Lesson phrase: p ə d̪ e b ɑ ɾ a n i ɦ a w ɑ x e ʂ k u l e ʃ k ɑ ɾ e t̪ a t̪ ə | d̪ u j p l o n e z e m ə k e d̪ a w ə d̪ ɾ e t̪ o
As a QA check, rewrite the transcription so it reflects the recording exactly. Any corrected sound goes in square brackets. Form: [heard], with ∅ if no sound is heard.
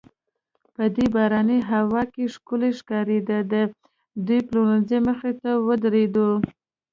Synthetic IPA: p ə d̪ e b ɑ ɾ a n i ɦ a w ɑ [k] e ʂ k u l e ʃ k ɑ ɾ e [d̪] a [d̪] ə | d̪ u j p l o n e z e m ə [x] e [t̪] a w ə d̪ ɾ e [d̪] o